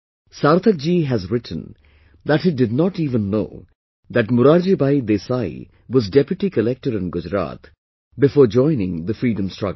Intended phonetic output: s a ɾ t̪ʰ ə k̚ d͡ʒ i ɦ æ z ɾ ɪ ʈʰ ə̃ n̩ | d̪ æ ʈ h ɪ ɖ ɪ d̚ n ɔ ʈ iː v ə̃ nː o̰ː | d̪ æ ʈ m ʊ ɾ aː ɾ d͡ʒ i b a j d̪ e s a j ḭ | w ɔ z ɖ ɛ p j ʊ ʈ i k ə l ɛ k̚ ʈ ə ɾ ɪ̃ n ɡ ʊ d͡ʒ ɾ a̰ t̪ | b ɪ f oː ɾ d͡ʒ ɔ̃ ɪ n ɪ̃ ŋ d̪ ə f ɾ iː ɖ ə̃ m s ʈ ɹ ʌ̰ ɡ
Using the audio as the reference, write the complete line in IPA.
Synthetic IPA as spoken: s a ɾ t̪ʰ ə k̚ d͡ʒ i ɦ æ z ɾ ɪ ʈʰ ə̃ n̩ | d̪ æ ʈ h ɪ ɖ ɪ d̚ n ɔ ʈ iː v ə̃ nː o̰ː | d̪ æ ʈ m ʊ ɾ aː ɾ d͡ʒ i b a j d̪ e s a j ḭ | w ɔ z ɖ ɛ p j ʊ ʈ i k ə l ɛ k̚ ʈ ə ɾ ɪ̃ n ɡ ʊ d͡ʒ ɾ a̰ t̪ | b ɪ f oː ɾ d͡ʒ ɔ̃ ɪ n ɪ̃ ŋ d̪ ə f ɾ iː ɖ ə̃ m s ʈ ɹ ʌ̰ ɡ